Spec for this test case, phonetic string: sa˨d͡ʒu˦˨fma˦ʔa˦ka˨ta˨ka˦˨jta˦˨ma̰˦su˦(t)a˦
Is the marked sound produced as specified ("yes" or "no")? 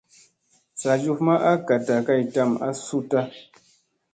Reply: yes